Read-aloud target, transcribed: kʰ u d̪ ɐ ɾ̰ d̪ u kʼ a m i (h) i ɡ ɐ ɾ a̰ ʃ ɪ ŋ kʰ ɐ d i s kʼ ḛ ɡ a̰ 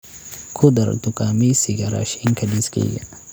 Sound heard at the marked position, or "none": s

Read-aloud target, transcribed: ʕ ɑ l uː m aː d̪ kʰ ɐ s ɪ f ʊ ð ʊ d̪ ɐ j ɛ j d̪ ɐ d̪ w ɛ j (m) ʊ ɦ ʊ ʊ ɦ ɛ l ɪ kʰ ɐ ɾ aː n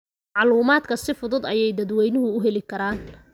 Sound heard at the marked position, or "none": n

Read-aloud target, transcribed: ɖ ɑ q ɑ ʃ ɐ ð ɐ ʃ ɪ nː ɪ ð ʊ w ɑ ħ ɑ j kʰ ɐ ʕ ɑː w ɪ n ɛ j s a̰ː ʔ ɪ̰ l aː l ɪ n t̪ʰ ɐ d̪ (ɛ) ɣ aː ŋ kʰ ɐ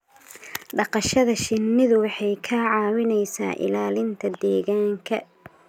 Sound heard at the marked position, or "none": ɛː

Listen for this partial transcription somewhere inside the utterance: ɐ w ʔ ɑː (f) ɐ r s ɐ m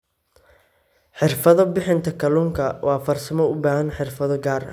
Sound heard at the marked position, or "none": f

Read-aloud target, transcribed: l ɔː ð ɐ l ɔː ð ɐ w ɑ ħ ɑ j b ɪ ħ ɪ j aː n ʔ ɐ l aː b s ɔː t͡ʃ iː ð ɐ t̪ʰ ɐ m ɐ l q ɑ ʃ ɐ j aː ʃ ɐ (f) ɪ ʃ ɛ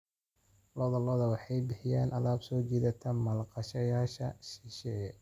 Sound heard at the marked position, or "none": ʃ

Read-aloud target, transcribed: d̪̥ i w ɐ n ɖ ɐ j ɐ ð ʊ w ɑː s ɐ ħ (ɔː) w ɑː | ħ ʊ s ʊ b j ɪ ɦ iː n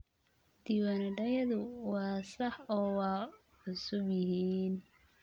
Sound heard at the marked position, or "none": ɔː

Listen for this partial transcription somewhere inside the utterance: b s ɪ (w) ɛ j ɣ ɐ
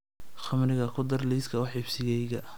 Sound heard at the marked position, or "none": ɣ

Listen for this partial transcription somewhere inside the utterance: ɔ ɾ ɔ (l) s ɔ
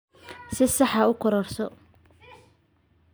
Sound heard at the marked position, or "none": r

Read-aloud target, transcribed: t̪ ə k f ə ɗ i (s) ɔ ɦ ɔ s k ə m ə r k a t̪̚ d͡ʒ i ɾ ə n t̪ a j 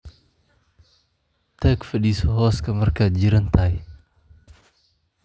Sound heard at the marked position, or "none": s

